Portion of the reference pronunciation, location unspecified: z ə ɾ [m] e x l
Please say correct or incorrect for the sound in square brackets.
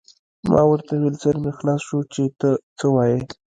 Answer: correct